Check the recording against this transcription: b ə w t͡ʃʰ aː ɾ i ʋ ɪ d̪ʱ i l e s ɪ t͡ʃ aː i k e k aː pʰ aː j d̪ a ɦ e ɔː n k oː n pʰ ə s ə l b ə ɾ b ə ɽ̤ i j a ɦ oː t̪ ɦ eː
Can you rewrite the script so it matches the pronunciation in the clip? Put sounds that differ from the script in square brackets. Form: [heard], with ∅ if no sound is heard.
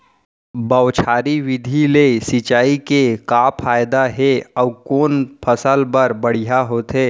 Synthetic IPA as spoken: b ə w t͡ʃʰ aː ɾ i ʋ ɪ d̪ʱ i l e s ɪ t͡ʃ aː i k e k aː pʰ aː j d̪ a ɦ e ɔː [∅] k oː n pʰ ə s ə l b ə ɾ b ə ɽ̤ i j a ɦ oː t̪ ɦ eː

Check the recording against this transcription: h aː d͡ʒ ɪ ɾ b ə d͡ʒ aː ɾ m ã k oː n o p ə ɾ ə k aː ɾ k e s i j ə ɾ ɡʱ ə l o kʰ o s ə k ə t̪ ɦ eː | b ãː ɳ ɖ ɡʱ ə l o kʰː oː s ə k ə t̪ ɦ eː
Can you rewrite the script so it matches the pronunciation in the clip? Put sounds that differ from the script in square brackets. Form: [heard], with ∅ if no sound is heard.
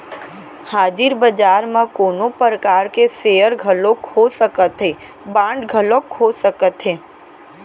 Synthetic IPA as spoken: h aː d͡ʒ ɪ ɾ b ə d͡ʒ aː ɾ m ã k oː n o p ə ɾ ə k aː ɾ k e s [e] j ə ɾ ɡʱ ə l o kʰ o s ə k ə t̪ ɦ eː | b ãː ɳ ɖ ɡʱ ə l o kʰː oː s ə k ə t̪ ɦ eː

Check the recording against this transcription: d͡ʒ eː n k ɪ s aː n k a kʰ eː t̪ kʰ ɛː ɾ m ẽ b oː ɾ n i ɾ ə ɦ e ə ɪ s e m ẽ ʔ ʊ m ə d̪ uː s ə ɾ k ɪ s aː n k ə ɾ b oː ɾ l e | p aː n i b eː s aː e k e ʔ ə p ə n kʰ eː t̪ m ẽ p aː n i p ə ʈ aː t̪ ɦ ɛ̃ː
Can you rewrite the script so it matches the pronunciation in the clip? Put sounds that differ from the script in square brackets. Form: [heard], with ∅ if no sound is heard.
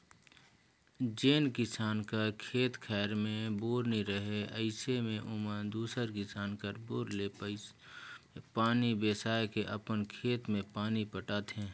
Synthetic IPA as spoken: d͡ʒ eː n k ɪ s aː n k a kʰ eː t̪ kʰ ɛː ɾ m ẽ b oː ɾ n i ɾ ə ɦ e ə ɪ s e m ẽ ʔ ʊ m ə d̪ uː s ə ɾ k ɪ s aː n k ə ɾ b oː ɾ l e | p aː n i b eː s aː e k e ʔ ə p ə n kʰ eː t̪ m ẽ p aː n i p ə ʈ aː t̪ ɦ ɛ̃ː

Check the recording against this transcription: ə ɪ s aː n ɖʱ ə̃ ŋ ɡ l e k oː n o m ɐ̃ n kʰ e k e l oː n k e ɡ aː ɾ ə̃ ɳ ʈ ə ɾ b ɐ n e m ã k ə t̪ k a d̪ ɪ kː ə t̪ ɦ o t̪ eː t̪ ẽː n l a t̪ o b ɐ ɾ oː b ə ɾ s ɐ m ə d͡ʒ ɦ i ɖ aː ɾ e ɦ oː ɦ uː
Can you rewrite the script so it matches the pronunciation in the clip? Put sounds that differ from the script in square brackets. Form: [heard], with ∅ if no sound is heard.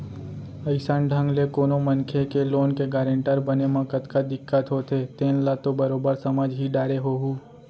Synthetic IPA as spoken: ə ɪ s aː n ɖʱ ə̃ ŋ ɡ l e k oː n o m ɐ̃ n kʰ e k e l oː n k e ɡ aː ɾ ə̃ ɳ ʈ ə ɾ b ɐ n e m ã k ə t̪ k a d̪ ɪ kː ə t̪ ɦ o t̪ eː t̪ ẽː n l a t̪ o b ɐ ɾ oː b ə ɾ s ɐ m ə d͡ʒ ɦ i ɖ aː ɾ e ɦ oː ɦ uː

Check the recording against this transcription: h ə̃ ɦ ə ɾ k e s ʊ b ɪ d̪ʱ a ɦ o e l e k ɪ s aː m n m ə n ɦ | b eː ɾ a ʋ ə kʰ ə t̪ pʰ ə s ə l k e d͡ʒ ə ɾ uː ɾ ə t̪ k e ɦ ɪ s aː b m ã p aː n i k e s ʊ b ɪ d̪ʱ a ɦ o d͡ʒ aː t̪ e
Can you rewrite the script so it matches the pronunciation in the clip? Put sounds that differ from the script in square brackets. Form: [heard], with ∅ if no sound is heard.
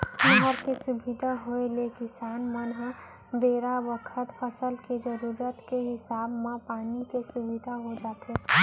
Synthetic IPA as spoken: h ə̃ ɦ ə ɾ k e s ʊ b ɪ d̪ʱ a ɦ o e l e k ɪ s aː [∅] n m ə n ɦ | b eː ɾ a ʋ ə kʰ ə t̪ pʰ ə s ə l k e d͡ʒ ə ɾ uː ɾ ə t̪ k e ɦ ɪ s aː b m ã p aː n i k e s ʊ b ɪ d̪ʱ a ɦ o d͡ʒ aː t̪ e

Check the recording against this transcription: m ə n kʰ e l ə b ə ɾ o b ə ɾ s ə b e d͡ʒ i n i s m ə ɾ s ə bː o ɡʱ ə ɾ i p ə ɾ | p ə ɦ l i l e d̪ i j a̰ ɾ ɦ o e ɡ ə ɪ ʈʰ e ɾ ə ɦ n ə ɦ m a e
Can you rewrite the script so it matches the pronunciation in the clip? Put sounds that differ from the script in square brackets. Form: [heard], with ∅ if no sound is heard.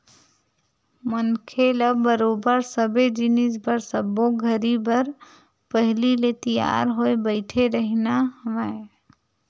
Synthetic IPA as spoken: m ə n kʰ e l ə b ə ɾ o b ə ɾ s ə b e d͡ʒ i n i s [b] ə ɾ s ə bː o ɡʱ ə ɾ i [b] ə ɾ | p ə ɦ l i l e [t̪] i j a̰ ɾ ɦ o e [b] ə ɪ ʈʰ e ɾ ə ɦ n [a] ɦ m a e

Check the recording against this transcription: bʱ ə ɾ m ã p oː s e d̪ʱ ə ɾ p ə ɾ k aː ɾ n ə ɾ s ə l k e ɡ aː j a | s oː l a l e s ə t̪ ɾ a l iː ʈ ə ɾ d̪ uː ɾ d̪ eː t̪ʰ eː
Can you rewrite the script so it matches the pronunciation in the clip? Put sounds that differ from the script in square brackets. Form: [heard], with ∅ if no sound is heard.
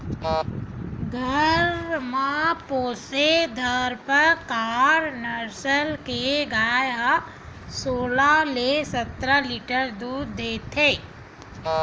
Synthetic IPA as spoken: [ɡʱ] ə ɾ m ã p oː s e d̪ʱ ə ɾ p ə ɾ k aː ɾ n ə ɾ s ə l k e ɡ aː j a | s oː l a l e s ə t̪ ɾ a l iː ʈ ə ɾ d̪ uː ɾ d̪ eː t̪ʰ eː

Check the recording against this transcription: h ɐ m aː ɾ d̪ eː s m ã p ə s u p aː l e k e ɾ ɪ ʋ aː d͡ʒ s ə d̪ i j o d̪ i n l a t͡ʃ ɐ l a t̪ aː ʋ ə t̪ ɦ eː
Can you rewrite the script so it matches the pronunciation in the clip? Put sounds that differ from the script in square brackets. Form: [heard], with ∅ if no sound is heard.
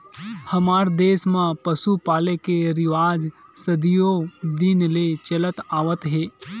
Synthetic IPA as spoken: h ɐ m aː ɾ d̪ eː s m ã p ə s u p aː l e k e ɾ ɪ ʋ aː d͡ʒ s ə d̪ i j o d̪ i n l [e] t͡ʃ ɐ l [ə] t̪ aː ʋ ə t̪ ɦ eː

